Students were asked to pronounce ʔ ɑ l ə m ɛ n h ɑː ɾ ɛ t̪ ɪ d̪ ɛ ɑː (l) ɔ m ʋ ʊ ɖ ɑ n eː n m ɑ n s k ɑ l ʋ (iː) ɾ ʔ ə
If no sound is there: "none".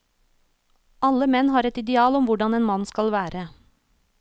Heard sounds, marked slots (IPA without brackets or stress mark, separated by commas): l, æː